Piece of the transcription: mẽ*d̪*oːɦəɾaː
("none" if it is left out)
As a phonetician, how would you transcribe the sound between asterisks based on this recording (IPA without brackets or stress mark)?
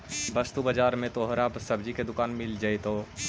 t̪